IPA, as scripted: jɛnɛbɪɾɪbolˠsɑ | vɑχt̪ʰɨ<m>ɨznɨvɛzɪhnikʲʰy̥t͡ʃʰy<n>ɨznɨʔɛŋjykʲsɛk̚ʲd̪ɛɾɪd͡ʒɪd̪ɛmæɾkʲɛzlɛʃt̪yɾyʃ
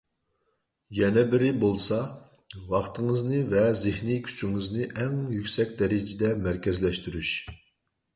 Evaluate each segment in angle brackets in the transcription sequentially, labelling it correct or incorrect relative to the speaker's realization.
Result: incorrect, incorrect

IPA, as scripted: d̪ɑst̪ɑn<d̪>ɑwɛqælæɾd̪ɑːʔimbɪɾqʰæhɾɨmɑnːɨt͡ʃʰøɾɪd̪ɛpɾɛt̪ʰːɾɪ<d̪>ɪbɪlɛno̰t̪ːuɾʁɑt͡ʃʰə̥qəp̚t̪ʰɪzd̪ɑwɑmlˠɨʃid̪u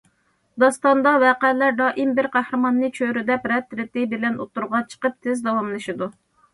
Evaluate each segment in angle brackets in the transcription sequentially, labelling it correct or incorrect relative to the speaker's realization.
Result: correct, incorrect

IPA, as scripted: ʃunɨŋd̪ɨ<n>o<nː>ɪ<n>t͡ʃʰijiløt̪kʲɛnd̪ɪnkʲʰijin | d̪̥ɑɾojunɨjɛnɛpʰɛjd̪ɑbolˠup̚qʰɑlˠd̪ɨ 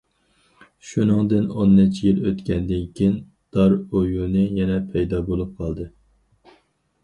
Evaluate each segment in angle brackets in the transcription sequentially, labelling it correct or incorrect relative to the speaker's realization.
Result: correct, correct, incorrect

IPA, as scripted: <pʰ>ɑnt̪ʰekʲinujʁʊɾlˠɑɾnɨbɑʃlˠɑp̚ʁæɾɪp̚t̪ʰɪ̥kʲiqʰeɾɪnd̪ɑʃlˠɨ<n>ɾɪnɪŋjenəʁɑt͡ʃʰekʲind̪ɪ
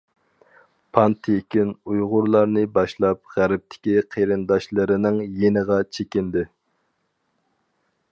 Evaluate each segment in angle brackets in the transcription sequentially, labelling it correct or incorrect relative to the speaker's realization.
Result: correct, incorrect

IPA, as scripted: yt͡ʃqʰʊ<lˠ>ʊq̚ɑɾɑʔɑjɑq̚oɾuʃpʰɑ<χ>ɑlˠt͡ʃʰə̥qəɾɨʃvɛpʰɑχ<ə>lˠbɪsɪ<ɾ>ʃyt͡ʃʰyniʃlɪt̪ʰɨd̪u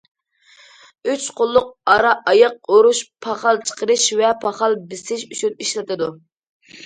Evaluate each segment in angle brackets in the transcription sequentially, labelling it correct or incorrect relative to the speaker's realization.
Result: incorrect, correct, incorrect, incorrect

